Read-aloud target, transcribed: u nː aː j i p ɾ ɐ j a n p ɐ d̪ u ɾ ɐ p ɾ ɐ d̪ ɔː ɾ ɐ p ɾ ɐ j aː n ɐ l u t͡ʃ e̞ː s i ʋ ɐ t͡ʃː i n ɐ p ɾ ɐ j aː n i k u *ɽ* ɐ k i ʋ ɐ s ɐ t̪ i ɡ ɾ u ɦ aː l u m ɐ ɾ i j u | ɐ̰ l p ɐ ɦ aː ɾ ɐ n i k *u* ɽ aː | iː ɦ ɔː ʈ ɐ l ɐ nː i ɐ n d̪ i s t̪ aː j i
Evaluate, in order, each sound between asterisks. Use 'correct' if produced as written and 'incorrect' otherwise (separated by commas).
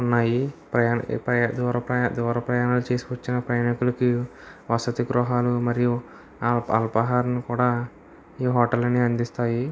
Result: incorrect, incorrect